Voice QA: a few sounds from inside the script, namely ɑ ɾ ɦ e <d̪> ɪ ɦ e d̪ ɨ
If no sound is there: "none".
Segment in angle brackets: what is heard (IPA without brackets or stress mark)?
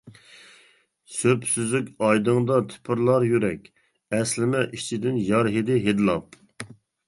d̪